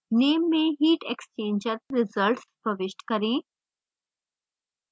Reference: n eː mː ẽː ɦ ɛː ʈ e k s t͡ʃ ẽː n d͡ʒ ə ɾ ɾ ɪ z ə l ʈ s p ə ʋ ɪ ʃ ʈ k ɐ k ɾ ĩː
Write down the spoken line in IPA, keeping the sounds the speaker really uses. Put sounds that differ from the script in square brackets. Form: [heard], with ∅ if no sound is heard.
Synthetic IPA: n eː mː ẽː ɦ [iː] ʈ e k s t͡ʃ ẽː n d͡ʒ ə ɾ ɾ ɪ z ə l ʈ s p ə ʋ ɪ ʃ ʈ k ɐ [∅] ɾ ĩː

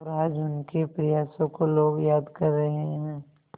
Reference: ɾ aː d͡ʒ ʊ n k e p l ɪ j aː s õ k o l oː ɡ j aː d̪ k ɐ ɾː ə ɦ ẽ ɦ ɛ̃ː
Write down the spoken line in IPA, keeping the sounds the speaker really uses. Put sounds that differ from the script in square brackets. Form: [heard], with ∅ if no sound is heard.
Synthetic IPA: ɾ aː d͡ʒ ʊ n k e p [ɾ] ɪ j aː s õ k o l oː ɡ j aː d̪ k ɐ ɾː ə ɦ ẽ ɦ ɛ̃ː

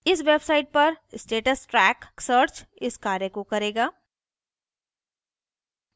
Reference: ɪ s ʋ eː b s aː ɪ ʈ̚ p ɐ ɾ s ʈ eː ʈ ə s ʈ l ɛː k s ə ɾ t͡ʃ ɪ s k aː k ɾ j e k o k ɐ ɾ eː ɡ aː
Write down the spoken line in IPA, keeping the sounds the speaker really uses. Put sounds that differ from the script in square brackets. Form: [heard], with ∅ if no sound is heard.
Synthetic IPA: ɪ s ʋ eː b s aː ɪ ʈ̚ p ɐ ɾ s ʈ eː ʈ ə s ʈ [ɾ] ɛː k s ə ɾ t͡ʃ ɪ s k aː [∅] ɾ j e k o k ɐ ɾ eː ɡ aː

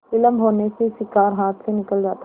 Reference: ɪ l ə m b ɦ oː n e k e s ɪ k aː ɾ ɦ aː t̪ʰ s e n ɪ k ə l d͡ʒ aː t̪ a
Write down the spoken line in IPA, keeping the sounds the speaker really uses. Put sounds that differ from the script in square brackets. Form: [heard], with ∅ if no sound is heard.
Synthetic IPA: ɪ l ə m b ɦ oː n e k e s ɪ k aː ɾ ɦ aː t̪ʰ s e n ɪ k ə l d͡ʒ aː t̪ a

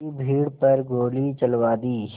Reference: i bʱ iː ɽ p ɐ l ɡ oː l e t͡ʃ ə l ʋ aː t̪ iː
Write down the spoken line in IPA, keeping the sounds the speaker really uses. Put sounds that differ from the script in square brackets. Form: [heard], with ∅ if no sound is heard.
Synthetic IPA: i bʱ iː ɽ p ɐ [ɾ] ɡ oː l [i] t͡ʃ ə l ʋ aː [d̪] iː

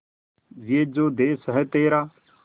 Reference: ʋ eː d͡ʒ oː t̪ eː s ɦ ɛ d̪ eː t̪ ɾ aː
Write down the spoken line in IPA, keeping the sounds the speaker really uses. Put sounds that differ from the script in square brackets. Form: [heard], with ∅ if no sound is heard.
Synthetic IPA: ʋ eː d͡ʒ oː [d̪] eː s ɦ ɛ [t̪] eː [∅] ɾ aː

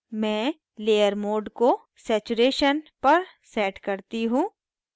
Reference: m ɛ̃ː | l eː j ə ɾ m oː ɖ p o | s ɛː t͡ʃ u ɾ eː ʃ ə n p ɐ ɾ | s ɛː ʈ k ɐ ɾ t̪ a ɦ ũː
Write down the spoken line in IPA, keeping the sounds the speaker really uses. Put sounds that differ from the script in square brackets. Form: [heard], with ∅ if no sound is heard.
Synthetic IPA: m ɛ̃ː | l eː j ə ɾ m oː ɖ [k] o | s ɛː t͡ʃ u ɾ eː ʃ ə n p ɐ ɾ | s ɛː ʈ k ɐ ɾ t̪ [i] ɦ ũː

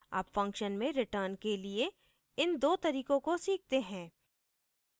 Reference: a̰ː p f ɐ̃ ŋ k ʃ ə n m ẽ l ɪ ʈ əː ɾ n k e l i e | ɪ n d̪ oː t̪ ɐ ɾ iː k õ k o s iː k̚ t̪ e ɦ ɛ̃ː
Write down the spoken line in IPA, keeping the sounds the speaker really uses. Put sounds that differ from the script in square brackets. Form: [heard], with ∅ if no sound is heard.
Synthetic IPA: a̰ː p f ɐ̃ ŋ k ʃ ə n m ẽ [ɾ] ɪ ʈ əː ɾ n k e l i e | ɪ n d̪ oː t̪ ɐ ɾ iː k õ k o s iː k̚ t̪ e ɦ ɛ̃ː

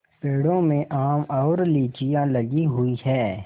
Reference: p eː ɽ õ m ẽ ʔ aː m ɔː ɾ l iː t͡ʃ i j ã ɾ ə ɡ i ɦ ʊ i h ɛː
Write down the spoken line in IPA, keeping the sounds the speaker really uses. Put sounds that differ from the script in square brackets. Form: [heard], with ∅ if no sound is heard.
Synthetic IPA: p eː ɽ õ m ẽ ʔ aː m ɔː ɾ l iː t͡ʃ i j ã [l] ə ɡ i ɦ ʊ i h ɛː

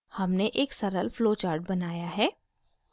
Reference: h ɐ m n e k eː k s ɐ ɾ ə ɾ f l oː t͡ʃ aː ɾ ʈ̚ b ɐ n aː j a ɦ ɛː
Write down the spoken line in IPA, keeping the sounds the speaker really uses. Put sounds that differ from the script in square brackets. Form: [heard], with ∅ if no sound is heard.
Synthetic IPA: h ɐ m n e [ʔ] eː k s ɐ ɾ ə [l] f l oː t͡ʃ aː ɾ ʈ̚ b ɐ n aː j a ɦ ɛː

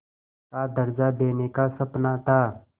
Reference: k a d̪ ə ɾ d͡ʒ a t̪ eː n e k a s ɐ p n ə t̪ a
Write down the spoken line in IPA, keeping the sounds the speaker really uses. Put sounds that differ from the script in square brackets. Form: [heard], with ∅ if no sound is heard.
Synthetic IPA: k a d̪ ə ɾ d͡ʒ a [d̪] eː n e k a s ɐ p n [a] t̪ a

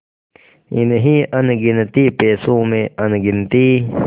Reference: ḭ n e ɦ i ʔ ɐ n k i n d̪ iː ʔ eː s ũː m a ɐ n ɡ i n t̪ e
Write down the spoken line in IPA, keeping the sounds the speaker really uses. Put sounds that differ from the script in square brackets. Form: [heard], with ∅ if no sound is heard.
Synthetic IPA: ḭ n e ɦ i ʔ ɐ n [ɡ] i n [t̪] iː [p] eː s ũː m [e] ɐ n ɡ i n t̪ [i]

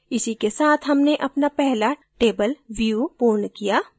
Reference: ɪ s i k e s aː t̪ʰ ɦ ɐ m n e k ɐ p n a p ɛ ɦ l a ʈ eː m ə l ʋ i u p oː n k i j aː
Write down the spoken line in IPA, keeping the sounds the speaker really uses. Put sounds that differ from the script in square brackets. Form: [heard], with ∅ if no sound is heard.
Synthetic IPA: ɪ s i k e s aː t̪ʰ ɦ ɐ m n e [ʔ] ɐ p n a p ɛ ɦ l a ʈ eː [b] ə l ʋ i u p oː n k i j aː

